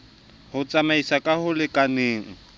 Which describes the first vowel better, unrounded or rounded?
rounded